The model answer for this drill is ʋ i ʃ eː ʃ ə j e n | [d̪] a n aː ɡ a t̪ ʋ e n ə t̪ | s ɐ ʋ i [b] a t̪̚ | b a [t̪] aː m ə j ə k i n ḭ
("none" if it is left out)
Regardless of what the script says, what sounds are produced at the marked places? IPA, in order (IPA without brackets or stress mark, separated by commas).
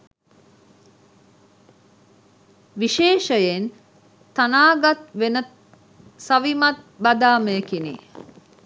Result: t̪, m, d̪